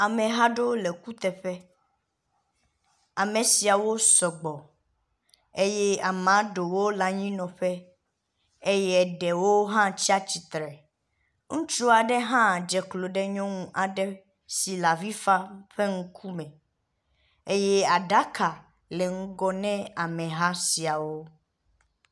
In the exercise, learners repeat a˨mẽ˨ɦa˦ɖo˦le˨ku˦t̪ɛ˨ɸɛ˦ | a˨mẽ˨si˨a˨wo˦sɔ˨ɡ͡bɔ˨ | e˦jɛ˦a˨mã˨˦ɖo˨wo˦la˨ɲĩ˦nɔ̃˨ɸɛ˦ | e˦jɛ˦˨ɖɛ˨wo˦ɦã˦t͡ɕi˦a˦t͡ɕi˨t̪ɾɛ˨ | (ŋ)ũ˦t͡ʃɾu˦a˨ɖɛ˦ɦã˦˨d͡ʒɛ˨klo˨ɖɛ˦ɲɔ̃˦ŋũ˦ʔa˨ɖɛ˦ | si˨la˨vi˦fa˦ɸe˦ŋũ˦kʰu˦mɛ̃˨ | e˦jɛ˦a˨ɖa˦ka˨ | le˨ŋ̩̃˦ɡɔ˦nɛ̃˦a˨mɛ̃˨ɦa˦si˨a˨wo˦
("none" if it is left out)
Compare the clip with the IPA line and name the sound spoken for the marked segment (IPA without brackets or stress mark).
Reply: ŋ